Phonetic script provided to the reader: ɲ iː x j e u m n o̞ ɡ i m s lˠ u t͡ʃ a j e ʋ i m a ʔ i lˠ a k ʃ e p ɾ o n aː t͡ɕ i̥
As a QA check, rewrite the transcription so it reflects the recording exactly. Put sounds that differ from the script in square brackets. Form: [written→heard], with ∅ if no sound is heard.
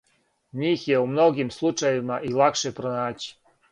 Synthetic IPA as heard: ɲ iː x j e u m n o̞ ɡ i m s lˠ u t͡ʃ a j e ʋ i m a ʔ i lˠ a k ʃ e p ɾ o n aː t͡ɕ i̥